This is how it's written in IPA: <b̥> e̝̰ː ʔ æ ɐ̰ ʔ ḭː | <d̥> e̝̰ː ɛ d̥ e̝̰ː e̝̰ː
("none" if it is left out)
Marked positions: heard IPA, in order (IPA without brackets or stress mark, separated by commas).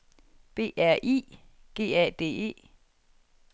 b̥, ɡ̥